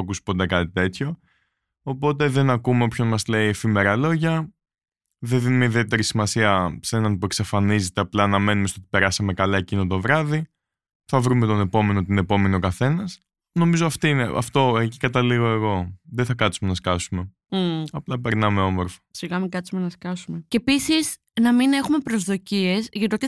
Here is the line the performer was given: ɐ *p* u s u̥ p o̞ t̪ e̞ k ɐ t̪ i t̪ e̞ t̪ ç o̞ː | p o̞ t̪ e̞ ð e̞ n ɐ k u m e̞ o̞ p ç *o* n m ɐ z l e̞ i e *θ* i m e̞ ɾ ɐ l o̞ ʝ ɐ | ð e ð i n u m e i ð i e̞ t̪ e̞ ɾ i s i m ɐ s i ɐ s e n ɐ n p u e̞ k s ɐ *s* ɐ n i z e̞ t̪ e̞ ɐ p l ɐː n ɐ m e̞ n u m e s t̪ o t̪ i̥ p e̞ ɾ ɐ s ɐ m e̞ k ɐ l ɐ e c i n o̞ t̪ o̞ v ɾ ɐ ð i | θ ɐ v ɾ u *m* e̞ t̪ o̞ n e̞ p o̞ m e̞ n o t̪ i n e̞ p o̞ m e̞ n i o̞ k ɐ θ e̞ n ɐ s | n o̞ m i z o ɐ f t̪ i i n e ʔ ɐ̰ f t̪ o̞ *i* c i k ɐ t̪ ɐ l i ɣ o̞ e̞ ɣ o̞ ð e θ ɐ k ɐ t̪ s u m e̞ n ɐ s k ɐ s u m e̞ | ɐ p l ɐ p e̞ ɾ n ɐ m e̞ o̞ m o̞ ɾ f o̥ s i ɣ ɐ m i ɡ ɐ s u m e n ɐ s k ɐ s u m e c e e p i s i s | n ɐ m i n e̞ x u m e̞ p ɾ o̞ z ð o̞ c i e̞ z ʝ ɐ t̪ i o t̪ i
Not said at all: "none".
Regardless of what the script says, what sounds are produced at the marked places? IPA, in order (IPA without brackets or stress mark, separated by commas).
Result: k, o, f, f, m, e